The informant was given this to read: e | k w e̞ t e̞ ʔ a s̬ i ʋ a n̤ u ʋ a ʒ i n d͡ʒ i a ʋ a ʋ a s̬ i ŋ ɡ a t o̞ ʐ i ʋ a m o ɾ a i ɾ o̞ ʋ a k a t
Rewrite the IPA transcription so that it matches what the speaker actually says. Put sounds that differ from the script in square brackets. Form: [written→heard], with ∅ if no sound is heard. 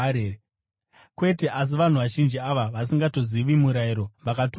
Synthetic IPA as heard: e | k w e̞ t e̞ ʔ a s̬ i ʋ a n̤ u ʋ a ʒ i n d͡ʒ i a ʋ a ʋ a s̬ i ŋ ɡ a t o̞ [ʐ→z] i ʋ [a→i] m [o→u] ɾ a i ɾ o̞ ʋ a k a t